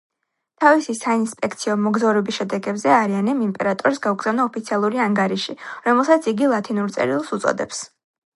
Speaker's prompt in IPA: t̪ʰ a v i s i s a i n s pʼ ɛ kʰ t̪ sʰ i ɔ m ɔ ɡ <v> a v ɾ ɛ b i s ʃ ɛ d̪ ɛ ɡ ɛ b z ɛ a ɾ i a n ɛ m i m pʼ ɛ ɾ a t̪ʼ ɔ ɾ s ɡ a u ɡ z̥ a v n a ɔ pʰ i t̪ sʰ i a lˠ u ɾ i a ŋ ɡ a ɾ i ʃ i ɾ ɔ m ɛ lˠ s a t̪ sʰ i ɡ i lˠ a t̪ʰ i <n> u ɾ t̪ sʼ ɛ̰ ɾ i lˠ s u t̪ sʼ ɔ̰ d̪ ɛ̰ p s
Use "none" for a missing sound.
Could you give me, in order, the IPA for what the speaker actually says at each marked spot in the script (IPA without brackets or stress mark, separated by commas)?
z, n